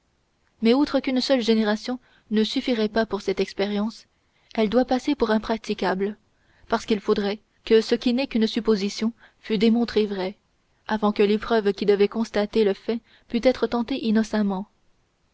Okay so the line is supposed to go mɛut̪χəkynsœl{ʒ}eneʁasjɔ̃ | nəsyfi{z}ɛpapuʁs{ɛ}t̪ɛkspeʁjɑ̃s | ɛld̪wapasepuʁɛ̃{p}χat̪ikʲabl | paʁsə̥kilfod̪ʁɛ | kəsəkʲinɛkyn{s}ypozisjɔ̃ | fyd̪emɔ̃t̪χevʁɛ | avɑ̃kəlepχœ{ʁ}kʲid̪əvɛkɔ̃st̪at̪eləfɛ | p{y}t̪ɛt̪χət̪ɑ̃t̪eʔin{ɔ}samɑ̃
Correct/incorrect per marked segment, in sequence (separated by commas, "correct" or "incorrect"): correct, incorrect, correct, correct, correct, incorrect, correct, correct